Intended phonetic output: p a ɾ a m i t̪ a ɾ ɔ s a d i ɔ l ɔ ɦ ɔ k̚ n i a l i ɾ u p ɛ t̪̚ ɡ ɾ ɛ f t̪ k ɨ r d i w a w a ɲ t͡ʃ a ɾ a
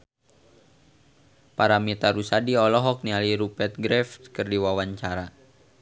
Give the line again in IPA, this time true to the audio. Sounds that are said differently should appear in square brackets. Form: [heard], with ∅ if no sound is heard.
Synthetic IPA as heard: p a ɾ a m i t̪ a ɾ [u] s a d i ɔ l ɔ ɦ ɔ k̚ n i a l i ɾ u p ɛ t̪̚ ɡ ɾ ɛ f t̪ k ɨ r d i w a w a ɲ t͡ʃ a ɾ a